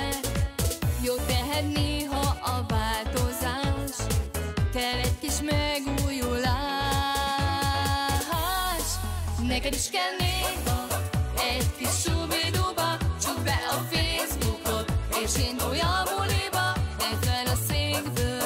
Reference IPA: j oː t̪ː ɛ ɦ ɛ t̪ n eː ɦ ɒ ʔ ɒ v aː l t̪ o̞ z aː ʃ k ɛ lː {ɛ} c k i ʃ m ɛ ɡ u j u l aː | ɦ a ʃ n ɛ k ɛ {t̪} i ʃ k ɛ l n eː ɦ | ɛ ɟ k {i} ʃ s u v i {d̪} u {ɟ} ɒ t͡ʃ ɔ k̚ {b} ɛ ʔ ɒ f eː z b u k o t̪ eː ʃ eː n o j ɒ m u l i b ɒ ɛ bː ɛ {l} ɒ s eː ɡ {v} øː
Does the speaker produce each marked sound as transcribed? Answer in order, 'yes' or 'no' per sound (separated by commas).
yes, no, yes, yes, no, yes, yes, no